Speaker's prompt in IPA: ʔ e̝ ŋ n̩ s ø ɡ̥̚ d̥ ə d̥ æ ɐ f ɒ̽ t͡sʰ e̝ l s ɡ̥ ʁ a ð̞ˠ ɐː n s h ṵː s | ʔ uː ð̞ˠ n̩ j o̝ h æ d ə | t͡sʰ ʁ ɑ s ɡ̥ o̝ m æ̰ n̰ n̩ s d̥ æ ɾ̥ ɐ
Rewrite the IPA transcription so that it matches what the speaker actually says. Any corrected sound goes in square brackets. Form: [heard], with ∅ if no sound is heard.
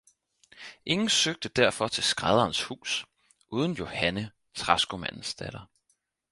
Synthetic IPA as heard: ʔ e̝ ŋ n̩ s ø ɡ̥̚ d̥ ə d̥ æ ɐ f ɒ̽ t͡sʰ e̝ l s ɡ̥ ʁ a ð̞ˠ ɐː n s h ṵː s | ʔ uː ð̞ˠ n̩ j o̝ h æ [n] ə | t͡sʰ ʁ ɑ s ɡ̥ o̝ m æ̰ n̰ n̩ s d̥ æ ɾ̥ ɐ